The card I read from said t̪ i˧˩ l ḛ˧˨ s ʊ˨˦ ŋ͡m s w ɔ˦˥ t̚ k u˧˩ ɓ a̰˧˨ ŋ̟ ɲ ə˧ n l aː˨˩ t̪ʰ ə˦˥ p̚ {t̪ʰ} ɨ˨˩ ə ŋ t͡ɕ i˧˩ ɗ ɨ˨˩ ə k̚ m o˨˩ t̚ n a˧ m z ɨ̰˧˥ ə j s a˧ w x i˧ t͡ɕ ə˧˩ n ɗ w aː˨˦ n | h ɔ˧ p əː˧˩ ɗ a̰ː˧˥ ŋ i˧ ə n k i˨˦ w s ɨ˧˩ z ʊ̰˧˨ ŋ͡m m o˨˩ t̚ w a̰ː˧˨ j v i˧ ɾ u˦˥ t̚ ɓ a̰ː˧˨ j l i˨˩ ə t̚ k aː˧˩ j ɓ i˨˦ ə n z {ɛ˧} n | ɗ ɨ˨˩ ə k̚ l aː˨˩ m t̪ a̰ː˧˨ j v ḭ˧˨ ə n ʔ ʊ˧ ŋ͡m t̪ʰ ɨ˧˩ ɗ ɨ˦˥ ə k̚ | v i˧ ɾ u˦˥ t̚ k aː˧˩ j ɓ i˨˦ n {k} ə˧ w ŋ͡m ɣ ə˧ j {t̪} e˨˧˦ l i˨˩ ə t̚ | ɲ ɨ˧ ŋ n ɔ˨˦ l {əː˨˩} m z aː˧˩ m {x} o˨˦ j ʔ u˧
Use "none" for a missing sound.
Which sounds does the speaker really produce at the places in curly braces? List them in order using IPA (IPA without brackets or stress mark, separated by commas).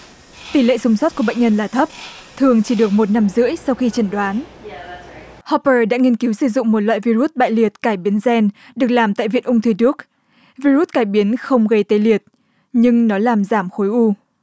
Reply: t̪ʰ, ɛ˧, x, t̪, aː˨˩, x